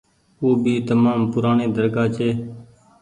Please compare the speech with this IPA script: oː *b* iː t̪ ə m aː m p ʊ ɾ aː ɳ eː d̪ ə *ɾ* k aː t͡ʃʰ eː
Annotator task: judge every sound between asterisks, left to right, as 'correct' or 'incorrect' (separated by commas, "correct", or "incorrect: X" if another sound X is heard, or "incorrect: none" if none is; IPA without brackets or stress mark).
correct, correct